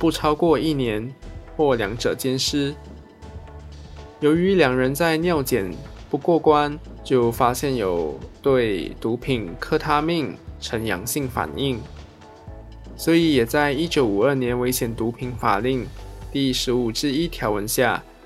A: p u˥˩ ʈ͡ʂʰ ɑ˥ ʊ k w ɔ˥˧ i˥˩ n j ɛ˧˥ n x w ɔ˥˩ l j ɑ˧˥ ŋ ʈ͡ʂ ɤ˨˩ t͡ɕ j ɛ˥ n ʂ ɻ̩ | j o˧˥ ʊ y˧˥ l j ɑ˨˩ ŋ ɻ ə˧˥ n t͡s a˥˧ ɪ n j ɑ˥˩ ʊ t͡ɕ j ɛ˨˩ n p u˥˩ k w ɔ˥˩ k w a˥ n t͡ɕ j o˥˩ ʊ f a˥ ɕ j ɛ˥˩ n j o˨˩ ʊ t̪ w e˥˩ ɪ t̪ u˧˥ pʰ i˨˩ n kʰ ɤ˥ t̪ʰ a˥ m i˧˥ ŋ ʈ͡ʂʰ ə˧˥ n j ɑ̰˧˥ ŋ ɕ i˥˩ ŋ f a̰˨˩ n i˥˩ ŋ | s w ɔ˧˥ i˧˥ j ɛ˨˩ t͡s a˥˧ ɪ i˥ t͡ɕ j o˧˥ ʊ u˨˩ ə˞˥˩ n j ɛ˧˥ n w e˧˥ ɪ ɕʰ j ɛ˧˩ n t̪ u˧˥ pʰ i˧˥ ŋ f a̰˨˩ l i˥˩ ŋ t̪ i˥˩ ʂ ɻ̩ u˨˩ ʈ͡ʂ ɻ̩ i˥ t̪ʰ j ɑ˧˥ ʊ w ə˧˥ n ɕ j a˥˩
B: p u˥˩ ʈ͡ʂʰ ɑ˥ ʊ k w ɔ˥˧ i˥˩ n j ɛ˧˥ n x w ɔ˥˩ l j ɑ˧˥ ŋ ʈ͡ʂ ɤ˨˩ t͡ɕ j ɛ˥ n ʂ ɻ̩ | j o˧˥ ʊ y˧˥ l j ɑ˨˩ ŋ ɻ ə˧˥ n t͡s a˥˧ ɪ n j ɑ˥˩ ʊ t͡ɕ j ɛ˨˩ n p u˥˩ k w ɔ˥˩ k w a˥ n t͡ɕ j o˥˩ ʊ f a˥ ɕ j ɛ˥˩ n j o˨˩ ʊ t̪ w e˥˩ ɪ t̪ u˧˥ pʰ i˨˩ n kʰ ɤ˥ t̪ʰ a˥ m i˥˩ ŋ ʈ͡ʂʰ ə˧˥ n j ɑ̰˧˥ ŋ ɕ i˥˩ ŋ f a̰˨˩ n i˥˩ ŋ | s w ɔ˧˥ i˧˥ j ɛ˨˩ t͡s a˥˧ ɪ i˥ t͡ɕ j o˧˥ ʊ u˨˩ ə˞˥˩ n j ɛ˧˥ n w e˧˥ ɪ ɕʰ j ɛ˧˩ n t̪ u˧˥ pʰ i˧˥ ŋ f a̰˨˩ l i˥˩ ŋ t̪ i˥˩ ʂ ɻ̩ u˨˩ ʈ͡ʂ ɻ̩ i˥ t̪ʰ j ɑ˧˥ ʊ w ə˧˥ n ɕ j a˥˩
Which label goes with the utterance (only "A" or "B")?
B